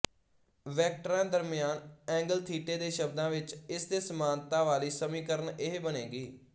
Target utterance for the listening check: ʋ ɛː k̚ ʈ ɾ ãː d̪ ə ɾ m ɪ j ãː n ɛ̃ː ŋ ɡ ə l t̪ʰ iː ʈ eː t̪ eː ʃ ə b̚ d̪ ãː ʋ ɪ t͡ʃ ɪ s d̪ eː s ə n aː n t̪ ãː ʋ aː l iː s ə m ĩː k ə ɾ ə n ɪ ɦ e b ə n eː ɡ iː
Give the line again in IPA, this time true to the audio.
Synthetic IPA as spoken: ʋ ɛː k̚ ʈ ɾ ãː d̪ ə ɾ m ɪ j aː n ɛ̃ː ŋ ɡ ə l t̪ʰ iː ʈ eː d̪ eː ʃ ə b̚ d̪ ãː ʋ ɪ t͡ʃ ɪ s d̪ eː s ə m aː n t̪ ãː ʋ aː l iː s ə m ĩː k ə ɾ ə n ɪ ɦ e b ə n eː ɡ iː

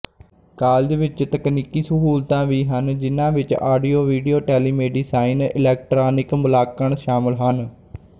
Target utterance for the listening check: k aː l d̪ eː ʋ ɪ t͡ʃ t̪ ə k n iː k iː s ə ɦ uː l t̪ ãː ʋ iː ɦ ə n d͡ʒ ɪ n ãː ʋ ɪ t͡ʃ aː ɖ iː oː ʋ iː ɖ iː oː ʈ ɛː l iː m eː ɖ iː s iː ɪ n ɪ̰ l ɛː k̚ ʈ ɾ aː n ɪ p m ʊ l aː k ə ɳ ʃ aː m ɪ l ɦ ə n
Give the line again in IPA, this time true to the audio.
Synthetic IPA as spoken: k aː l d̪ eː ʋ ɪ t͡ʃ t̪ ə k n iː k iː s ə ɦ uː l t̪ ãː ʋ iː ɦ ə n d͡ʒ ɪ n ãː ʋ ɪ t͡ʃ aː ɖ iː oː ʋ iː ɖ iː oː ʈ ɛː l iː m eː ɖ iː s aː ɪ n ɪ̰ l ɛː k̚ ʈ ɾ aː n ɪ k m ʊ l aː k ə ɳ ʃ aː m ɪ l ɦ ə n

